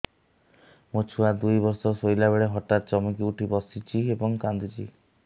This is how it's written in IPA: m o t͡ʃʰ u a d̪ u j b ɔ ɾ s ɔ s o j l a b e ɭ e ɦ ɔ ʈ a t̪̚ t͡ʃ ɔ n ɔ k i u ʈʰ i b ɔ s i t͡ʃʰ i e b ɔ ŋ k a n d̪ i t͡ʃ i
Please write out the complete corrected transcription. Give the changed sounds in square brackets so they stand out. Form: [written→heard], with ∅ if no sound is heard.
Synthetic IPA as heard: m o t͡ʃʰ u a d̪ u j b ɔ ɾ s ɔ s o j l a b e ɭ e ɦ ɔ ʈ a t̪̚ t͡ʃ ɔ [n→m] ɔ k i u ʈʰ i b ɔ s i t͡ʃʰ i e b ɔ ŋ k a n d̪ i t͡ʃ i